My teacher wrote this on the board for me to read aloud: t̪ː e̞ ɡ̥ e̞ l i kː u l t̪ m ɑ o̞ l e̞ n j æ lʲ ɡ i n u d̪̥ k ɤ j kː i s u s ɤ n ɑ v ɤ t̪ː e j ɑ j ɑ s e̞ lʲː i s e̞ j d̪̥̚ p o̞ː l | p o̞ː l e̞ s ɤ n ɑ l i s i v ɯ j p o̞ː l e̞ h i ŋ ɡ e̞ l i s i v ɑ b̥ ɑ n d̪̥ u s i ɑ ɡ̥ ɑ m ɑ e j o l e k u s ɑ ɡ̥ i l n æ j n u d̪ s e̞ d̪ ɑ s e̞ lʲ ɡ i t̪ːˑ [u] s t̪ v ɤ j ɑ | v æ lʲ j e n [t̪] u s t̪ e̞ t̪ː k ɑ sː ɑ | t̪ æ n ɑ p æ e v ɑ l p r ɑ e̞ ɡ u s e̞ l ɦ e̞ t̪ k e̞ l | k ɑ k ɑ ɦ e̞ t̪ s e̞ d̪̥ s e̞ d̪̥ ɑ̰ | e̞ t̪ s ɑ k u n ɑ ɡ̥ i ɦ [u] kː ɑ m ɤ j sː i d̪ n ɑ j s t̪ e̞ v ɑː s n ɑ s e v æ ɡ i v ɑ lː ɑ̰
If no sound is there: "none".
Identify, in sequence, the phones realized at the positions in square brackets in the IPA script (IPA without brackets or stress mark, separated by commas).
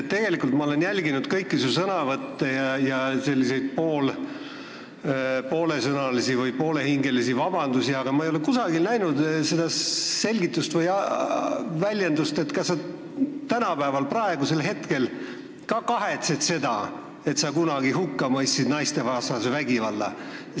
u, d̪, u